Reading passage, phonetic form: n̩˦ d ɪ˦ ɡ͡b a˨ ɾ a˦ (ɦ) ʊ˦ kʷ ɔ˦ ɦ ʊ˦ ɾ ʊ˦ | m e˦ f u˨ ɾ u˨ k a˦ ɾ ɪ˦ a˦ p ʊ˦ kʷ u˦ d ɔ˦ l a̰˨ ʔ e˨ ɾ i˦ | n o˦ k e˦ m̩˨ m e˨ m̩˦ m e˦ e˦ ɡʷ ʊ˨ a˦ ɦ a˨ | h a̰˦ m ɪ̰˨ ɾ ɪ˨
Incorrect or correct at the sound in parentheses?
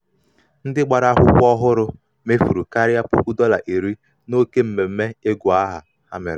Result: correct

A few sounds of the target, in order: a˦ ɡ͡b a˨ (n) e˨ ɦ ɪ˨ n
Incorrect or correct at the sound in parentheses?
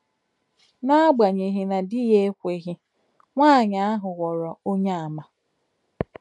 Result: incorrect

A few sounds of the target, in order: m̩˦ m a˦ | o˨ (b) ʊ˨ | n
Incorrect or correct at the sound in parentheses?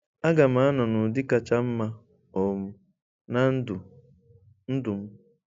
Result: incorrect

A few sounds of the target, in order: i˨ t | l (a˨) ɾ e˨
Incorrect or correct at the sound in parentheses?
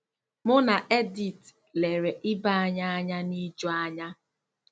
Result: incorrect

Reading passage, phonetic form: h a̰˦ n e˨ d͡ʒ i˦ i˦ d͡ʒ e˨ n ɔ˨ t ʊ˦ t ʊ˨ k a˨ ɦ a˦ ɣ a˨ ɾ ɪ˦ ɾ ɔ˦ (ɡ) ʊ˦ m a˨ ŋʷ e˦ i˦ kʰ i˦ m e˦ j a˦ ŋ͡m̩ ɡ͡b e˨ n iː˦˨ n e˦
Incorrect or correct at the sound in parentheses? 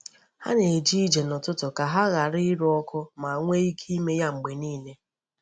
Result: incorrect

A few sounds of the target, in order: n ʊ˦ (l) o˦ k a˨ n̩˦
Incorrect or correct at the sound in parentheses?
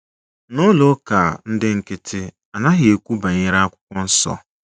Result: correct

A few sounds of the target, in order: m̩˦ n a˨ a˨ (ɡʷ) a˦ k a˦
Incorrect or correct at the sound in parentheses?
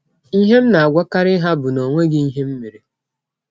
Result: correct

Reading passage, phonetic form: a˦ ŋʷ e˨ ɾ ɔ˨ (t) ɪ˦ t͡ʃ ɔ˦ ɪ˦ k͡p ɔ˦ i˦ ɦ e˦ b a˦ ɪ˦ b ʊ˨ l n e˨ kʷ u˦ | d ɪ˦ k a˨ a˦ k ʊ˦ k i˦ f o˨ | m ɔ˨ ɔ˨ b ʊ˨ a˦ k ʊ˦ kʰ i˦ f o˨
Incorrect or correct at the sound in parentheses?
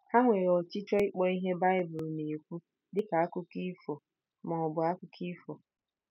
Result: incorrect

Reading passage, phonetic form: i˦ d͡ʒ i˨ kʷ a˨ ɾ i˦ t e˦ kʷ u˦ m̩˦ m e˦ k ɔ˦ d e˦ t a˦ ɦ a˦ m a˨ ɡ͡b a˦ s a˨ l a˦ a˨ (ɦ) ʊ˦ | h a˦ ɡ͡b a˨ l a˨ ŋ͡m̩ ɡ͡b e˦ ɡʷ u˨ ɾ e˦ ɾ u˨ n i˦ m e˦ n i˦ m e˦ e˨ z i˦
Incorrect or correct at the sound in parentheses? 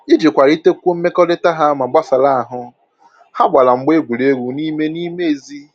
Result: correct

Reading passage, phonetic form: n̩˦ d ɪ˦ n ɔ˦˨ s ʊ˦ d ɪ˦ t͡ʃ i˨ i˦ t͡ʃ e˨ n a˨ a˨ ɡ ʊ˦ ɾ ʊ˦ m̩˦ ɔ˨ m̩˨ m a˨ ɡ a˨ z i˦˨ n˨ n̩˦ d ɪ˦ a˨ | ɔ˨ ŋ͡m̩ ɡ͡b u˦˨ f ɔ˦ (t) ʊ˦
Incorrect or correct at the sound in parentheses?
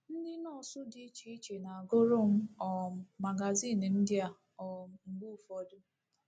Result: incorrect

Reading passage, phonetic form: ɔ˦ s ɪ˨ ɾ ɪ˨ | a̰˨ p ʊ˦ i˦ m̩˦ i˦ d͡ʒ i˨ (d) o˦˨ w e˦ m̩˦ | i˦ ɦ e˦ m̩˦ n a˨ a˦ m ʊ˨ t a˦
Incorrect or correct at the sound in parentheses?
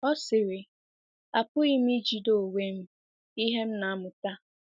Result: correct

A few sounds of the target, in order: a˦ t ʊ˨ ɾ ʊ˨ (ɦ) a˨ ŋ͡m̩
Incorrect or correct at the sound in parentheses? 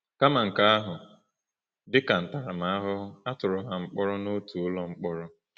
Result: correct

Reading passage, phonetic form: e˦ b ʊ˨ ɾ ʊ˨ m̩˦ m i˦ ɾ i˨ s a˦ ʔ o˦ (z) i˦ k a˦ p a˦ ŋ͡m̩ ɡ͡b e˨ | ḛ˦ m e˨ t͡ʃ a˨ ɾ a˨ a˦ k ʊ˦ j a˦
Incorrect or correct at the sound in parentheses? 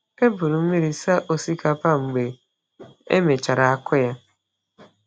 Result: incorrect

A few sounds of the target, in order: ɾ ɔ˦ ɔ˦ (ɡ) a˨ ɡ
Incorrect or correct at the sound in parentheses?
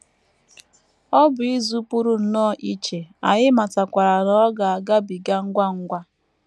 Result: correct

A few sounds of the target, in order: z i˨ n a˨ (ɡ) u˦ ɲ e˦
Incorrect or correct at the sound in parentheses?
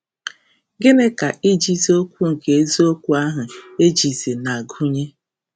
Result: correct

